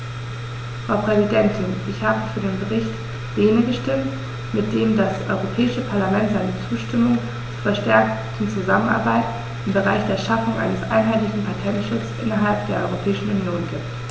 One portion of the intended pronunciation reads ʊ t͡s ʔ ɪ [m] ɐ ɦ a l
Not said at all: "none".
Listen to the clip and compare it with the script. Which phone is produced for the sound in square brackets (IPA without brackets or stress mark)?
n